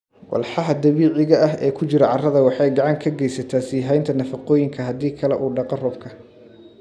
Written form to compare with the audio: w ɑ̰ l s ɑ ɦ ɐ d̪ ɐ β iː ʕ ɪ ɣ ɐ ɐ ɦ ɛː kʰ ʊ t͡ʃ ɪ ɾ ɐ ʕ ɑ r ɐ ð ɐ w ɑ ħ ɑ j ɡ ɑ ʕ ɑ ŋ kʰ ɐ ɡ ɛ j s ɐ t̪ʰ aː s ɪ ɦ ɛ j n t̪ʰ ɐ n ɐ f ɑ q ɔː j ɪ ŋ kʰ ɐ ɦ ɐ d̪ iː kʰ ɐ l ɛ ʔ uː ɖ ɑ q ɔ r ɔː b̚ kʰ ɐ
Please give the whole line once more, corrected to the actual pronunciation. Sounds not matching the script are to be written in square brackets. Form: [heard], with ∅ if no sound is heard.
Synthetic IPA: w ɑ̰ l [ħ] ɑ ɦ ɐ d̪ ɐ β iː ʕ ɪ ɣ ɐ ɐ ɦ ɛː kʰ ʊ t͡ʃ ɪ ɾ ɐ ʕ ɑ r ɐ ð ɐ w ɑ ħ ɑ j ɡ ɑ ʕ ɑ ŋ kʰ ɐ ɡ ɛ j s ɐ t̪ʰ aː s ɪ ɦ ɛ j n t̪ʰ ɐ n ɐ f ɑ q ɔː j ɪ ŋ kʰ ɐ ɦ ɐ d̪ iː kʰ ɐ l ɛ ʔ uː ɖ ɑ q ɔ r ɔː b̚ kʰ ɐ